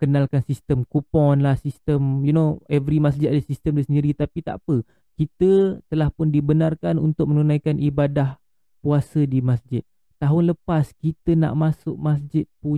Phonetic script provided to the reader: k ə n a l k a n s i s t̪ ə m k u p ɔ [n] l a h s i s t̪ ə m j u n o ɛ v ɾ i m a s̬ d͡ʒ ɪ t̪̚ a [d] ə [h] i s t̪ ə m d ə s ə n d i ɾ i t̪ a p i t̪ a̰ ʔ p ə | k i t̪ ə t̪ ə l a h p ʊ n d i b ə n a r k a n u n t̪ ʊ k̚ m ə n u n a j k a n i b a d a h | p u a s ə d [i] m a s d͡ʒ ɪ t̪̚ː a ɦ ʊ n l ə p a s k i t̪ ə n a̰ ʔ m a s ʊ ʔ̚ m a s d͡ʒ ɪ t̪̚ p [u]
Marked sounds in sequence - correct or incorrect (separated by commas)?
correct, correct, incorrect, correct, correct